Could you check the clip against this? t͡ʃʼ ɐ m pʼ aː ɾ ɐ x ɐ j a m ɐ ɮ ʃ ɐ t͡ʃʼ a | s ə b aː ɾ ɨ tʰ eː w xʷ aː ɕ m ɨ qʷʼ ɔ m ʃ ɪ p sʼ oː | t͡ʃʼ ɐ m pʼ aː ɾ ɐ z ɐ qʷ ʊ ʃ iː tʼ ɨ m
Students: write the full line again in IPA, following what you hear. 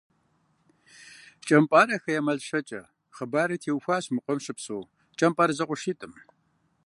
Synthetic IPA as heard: t͡ʃʼ ɐ m pʼ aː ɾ ɐ x ɐ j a m ɐ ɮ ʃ ɐ t͡ʃʼ ɐ | χ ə b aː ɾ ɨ tʰ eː w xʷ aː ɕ m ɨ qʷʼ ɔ m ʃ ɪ p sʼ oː | t͡ʃʼ ɐ m pʼ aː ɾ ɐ z ɐ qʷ ʊ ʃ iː tʼ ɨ m